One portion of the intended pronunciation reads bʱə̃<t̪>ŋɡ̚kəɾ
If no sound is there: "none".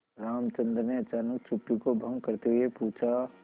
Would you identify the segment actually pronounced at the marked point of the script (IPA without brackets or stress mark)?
none